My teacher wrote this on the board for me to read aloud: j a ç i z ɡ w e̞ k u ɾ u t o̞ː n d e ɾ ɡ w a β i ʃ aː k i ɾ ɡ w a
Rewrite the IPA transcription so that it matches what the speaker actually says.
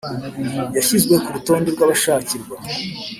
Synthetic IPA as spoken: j a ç i z ɡ w e̞ k u ɾ u t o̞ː n d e ɾ ɡ w a β a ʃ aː c i ɾ ɡ w a

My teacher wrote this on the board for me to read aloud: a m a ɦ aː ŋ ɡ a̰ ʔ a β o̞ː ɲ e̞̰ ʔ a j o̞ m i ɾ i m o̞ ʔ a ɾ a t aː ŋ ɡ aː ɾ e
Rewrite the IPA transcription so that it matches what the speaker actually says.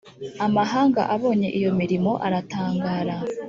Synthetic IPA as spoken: a m a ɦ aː ŋ ɡ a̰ ʔ a β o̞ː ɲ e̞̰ ʔ i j o̞ m i ɾ i m o̞ ʔ a ɾ a t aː ŋ ɡ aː ɾ a

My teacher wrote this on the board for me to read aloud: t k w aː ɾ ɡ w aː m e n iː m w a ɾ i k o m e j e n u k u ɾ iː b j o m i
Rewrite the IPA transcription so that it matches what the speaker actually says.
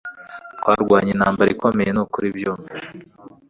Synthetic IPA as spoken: t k w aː ɾ ɡ w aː ɲ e n aː m b a ɾ i k o m e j e n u k u ɾ i b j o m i

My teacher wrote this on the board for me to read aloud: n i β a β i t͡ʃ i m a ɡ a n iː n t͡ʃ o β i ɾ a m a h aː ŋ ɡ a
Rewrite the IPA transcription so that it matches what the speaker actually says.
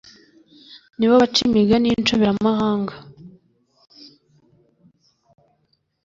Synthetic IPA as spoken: n i β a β a t͡ʃ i m i ɡ a n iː n t͡ʃ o β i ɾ a m a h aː ŋ ɡ a

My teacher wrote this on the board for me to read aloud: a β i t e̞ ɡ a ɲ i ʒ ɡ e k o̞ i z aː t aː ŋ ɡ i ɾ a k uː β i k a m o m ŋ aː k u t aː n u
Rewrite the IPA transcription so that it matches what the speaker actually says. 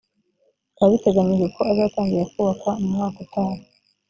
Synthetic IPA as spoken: a β i t e̞ ɡ a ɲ i ʒ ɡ e k o̞ a z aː t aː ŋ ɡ i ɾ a k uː β a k a m u m ŋ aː k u t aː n u

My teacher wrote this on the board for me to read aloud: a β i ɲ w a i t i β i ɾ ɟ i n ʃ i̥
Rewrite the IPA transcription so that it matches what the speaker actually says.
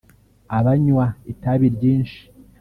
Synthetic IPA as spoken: a β a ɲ w a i t a β i ɾ ɟ iː n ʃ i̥

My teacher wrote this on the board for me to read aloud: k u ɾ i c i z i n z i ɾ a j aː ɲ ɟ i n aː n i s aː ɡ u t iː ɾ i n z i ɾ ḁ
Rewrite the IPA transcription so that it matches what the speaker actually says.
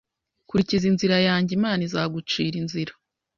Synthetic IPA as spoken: k u ɾ i c i z i n z i ɾ a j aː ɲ ɟ i m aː n i z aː ɡ u t͡ʃ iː ɾ i n z i ɾ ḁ

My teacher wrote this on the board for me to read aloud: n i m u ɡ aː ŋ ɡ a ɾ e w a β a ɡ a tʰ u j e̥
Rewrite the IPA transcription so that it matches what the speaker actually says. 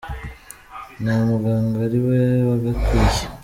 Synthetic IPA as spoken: n a m u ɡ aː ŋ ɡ a ɾ i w e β a ɡ a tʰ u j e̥

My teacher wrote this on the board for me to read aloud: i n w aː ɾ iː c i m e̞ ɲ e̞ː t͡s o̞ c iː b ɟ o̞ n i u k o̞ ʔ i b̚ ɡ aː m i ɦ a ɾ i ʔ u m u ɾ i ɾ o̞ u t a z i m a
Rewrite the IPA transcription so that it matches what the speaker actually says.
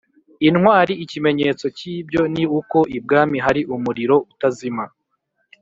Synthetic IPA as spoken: i n w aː ɾ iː c i m e̞ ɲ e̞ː t͡s o̞ c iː b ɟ o̞ n i u k o̞ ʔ i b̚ ɡ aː m i ɦ a ɾ i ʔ u m u ɾ i ɾ o̞ u t a z i m a

